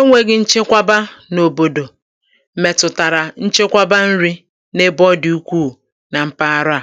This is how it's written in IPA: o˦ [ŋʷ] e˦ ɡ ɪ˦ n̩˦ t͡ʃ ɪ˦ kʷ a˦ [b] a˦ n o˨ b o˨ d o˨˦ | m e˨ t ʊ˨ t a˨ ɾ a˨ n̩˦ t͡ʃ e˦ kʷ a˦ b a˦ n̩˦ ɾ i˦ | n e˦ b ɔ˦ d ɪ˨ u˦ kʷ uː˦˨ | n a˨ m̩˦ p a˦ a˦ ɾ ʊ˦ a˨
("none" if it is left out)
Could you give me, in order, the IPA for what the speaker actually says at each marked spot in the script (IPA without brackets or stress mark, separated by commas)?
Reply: ŋʷ, b